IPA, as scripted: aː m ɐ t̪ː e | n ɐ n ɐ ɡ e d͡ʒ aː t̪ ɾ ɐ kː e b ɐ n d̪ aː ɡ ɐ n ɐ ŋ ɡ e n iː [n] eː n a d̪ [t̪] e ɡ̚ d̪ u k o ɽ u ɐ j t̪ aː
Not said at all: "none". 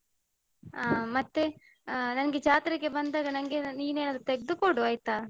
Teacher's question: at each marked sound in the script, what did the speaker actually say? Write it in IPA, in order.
n, t̪

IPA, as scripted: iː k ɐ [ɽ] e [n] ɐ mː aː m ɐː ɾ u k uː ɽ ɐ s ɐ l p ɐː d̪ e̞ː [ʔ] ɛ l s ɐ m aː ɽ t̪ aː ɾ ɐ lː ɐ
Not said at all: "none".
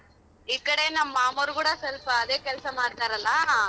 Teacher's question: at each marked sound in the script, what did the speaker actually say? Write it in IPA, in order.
ɽ, n, k

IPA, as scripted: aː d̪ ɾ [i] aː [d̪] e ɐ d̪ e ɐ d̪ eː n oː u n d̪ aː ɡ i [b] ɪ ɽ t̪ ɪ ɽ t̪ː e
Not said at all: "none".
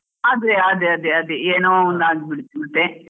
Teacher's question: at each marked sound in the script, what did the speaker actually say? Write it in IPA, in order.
e, d̪, b

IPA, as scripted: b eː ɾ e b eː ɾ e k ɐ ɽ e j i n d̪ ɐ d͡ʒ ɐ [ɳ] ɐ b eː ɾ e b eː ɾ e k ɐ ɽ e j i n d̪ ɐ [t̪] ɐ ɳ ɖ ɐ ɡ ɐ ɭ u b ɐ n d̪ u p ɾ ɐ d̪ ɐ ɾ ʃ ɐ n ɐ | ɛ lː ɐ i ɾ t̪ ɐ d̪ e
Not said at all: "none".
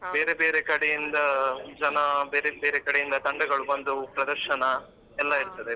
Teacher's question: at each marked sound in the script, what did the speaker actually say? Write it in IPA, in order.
n, t̪

